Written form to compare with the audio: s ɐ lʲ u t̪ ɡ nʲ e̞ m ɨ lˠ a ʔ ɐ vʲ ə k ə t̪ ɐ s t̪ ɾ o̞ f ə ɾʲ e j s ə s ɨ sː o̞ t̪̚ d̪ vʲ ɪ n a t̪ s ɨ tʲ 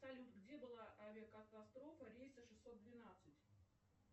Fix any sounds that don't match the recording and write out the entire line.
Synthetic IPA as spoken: s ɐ lʲ u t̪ ɡ dʲ e̞ b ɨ lˠ a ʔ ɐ vʲ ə k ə t̪ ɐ s t̪ ɾ o̞ f ə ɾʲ e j s ə ʂ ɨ sː o̞ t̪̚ d̪ vʲ ɪ n a t̪ s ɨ tʲ